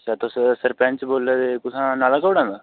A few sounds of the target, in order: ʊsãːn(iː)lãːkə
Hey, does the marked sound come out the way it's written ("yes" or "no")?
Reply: no